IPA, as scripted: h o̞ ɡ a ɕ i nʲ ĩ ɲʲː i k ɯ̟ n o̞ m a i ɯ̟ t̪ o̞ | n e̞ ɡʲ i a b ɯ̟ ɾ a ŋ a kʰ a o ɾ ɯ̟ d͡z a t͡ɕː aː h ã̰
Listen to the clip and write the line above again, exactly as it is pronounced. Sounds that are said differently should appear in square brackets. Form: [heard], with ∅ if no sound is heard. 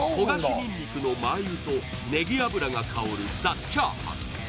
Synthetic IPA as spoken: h o̞ ɡ a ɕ i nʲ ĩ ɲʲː i k ɯ̟ n o̞ m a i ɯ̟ t̪ o̞ | n e̞ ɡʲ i a b ɯ̟ ɾ a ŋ a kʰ a o ɾ ɯ̟ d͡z a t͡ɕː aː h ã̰